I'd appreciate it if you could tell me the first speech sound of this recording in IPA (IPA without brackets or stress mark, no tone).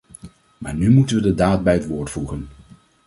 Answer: m